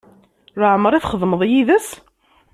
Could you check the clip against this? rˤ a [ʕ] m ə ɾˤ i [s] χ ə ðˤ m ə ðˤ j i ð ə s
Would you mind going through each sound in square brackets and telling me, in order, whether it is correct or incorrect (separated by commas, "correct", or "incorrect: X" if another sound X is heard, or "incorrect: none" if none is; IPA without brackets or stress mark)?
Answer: correct, incorrect: θ